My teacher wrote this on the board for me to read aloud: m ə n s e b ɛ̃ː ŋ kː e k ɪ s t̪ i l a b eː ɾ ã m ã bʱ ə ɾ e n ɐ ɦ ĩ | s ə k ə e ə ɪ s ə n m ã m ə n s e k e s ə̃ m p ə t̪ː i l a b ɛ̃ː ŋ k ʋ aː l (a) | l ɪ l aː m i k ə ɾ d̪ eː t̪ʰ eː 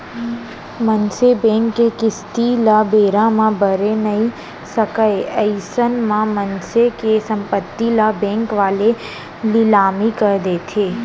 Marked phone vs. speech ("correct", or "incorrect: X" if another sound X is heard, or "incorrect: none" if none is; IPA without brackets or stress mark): incorrect: e